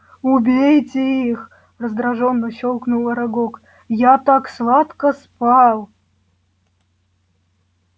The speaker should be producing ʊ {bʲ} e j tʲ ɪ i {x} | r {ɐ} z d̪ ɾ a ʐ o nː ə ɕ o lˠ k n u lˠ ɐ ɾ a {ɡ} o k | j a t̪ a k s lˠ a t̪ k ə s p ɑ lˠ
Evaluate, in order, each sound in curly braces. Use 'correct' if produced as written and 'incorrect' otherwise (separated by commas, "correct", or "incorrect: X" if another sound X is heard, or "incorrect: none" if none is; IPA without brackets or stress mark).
correct, correct, incorrect: ə, correct